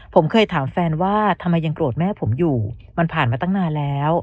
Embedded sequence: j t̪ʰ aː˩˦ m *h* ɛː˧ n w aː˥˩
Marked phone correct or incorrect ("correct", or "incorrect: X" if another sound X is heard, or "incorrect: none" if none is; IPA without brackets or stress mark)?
incorrect: f